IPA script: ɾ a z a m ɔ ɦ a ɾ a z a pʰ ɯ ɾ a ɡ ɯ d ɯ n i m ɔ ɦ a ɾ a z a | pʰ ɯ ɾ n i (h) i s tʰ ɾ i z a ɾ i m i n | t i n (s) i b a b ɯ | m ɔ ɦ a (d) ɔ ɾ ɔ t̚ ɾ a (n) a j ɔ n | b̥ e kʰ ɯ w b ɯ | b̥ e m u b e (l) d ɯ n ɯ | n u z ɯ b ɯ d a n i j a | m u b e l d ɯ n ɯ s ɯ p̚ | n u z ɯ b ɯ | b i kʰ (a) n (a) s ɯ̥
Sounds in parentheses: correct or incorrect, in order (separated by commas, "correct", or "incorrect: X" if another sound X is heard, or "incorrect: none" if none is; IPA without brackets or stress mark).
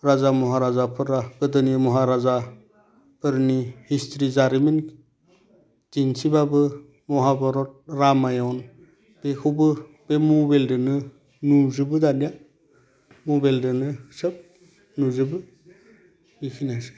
correct, correct, incorrect: b, incorrect: m, correct, incorrect: i, correct